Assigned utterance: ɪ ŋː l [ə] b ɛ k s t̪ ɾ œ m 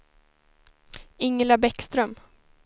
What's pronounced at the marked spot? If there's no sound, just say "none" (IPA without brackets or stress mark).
a